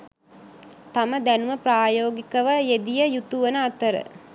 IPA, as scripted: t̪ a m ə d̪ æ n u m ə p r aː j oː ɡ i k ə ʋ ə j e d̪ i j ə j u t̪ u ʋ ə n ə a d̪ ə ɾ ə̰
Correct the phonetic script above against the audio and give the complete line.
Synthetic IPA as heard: t̪ a m ə d̪ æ n u m ə p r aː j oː ɡ i k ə ʋ ə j e d̪ i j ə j u t̪ u ʋ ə n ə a t̪ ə ɾ ə̰